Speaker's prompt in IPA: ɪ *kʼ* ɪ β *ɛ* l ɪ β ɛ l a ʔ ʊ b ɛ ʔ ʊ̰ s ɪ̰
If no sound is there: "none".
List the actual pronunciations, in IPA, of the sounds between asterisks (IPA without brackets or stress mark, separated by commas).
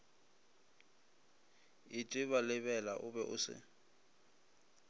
tʼ, a